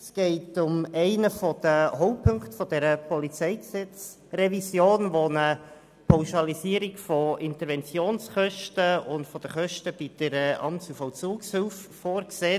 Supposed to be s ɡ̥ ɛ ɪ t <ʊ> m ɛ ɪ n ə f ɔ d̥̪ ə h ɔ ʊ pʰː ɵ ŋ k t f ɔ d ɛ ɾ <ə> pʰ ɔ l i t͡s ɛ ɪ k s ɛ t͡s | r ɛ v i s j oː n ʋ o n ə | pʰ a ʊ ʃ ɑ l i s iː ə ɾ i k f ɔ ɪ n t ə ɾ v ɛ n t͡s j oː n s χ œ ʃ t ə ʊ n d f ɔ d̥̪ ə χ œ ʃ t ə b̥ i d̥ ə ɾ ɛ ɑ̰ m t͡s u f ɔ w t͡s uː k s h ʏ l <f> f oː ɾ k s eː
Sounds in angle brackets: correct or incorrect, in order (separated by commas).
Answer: correct, correct, correct